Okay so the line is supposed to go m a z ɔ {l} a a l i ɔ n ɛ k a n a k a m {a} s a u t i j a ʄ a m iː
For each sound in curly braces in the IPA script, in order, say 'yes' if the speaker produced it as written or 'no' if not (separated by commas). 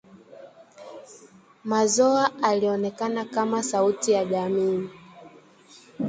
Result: no, yes